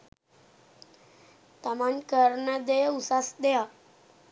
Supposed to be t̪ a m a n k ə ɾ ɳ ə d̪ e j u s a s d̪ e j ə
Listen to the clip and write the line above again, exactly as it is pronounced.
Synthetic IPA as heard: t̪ a m a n k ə ɾ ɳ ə d̪ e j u s a s d̪ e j a